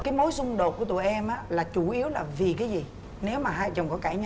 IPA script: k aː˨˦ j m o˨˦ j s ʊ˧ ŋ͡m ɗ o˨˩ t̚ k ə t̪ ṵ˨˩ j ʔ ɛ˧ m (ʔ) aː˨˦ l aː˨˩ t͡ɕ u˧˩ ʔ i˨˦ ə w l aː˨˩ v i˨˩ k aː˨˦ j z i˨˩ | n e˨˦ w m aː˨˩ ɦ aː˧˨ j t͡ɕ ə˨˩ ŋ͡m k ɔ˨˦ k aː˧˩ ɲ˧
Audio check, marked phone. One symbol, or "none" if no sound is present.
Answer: ʔ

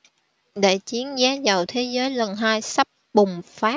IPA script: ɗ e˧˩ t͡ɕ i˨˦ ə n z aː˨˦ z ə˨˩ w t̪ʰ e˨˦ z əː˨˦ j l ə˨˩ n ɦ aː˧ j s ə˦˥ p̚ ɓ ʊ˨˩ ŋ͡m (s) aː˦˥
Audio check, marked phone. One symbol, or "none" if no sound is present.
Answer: f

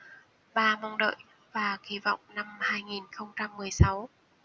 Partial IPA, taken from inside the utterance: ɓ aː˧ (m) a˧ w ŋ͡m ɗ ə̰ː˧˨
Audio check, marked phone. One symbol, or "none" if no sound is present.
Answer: m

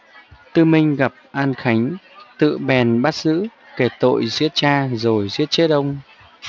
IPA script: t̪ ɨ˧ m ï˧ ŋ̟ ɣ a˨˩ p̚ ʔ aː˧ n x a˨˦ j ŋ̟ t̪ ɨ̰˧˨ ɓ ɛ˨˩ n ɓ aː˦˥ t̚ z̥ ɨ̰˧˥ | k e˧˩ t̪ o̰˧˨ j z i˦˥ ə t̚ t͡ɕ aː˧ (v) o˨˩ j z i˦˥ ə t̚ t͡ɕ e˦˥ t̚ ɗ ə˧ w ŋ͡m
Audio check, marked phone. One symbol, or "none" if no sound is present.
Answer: z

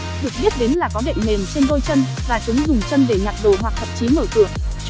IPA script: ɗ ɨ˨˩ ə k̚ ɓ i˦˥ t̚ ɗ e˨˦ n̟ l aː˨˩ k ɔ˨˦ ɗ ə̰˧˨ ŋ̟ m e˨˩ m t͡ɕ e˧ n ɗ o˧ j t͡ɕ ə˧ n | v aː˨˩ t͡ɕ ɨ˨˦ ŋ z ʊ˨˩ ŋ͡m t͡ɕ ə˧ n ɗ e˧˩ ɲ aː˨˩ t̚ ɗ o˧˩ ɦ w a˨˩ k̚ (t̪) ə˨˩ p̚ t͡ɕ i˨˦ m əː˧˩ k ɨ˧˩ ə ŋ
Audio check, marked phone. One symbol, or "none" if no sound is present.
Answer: t̪ʰ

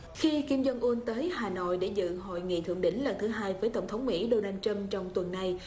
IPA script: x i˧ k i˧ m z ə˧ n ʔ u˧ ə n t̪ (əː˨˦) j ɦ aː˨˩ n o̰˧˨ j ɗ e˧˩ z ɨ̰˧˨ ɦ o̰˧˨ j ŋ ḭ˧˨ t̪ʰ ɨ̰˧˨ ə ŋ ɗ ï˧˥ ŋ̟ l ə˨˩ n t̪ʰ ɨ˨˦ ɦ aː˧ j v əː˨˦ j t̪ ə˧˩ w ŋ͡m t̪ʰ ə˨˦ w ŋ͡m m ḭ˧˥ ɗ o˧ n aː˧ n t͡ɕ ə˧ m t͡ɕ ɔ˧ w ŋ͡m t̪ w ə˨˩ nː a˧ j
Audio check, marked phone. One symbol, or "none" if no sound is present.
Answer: əː˨˦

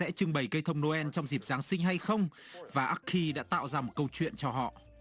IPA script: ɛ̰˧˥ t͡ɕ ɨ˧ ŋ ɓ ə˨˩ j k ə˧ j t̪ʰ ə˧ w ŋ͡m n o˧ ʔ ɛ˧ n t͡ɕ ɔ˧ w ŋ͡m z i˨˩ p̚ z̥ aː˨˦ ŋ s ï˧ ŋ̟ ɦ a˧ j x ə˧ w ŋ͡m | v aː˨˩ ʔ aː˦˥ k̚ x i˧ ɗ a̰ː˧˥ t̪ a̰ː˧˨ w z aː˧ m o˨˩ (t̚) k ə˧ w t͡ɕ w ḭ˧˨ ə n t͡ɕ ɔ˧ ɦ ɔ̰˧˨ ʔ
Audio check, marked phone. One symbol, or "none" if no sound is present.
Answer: t̚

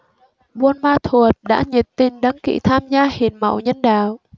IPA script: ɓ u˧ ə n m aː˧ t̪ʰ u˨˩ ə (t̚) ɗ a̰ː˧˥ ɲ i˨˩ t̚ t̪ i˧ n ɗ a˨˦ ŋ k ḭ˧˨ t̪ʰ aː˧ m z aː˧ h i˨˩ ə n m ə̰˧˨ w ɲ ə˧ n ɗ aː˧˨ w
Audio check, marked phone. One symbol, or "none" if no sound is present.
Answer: t̚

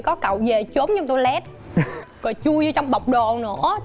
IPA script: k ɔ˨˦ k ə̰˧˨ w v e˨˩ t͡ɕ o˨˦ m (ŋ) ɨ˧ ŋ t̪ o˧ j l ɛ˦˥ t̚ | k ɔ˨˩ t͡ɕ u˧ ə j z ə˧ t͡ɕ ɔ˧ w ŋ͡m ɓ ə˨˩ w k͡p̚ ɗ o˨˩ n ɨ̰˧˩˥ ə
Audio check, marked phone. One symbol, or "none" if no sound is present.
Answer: ɲ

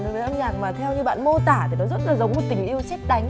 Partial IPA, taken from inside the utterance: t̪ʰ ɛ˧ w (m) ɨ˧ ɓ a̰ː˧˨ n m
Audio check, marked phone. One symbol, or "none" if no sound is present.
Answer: ɲ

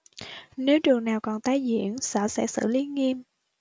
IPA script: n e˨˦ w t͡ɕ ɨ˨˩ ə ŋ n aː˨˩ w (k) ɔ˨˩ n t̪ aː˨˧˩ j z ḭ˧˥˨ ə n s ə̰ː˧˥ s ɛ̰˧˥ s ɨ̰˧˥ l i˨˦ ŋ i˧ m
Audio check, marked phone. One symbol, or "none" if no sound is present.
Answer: k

